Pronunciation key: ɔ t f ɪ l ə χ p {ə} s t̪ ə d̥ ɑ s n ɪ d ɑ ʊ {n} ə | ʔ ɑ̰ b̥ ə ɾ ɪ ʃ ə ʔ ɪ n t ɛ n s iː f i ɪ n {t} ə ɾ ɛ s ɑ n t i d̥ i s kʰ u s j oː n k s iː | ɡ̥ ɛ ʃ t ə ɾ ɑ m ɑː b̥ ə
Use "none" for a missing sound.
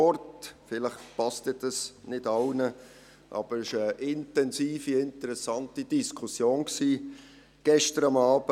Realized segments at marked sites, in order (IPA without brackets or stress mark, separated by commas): ɑ, n, t